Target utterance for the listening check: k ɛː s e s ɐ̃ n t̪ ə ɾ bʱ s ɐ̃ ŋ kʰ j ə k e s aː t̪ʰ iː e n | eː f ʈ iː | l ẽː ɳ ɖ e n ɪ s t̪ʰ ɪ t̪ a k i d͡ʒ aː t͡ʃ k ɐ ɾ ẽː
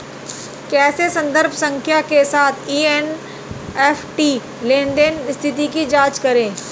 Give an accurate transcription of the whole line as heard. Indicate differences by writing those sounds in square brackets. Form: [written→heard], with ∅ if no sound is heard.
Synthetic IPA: k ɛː s e s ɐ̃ n [t̪→d̪] ə ɾ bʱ s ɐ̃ ŋ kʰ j [ə→a] k e s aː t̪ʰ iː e n | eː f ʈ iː | l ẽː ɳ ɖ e n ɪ s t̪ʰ ɪ t̪ [a→i] k i d͡ʒ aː t͡ʃ k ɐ ɾ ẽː